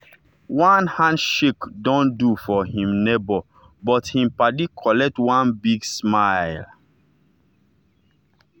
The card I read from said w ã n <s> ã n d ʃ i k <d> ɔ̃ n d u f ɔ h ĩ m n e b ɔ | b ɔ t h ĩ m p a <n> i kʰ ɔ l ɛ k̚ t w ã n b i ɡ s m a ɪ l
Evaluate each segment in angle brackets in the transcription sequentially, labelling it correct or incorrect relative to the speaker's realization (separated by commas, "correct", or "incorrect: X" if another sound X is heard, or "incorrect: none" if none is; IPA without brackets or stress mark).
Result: incorrect: h, correct, incorrect: d